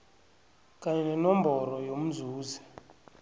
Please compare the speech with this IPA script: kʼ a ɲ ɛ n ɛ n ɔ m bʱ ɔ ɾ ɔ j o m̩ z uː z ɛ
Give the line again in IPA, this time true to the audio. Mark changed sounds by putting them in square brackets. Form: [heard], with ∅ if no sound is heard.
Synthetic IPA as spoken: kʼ a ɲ ɛ n ɛ n ɔ m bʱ ɔ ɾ ɔ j o m̩ z uː z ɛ